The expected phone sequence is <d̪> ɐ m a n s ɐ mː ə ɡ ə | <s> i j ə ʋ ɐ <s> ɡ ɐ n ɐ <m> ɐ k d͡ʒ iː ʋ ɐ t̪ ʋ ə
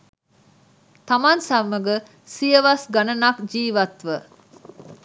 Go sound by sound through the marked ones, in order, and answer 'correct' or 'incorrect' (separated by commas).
incorrect, correct, correct, incorrect